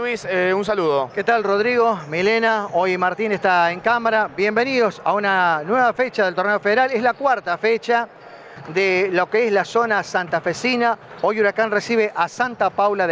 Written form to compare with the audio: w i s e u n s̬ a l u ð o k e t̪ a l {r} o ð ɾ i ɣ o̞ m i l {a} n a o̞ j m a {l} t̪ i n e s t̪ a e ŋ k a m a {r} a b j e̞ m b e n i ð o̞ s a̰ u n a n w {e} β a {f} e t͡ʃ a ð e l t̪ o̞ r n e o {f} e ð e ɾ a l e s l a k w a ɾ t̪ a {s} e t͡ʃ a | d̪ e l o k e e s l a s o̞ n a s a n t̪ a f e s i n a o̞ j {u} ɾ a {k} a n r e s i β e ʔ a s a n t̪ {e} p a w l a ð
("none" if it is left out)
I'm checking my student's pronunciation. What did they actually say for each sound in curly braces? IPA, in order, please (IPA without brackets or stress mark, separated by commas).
r, e, ɾ, ɾ, e, f, f, f, u, k, a